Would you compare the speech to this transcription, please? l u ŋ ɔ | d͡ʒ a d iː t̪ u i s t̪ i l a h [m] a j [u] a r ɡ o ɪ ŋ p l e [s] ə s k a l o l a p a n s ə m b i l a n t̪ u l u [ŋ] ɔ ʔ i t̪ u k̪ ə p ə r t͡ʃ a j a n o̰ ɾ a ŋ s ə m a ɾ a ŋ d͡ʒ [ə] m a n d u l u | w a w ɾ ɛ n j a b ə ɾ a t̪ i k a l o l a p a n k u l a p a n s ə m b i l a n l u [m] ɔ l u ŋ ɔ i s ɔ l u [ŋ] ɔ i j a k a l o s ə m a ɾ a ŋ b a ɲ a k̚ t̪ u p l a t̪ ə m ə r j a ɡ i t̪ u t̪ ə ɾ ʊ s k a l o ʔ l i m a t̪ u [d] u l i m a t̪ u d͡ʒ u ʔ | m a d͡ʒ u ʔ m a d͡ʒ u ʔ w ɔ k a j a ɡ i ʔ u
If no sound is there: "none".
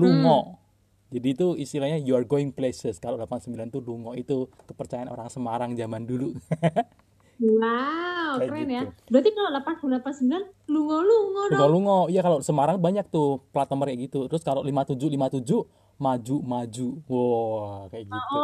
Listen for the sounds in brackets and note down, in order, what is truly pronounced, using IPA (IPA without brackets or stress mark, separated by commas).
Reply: ɲ, u, s, ŋ, a, ŋ, ŋ, d͡ʒ